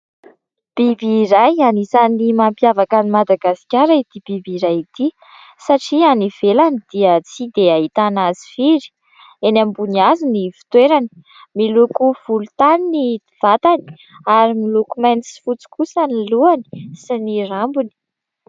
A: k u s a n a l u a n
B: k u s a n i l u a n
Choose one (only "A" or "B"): B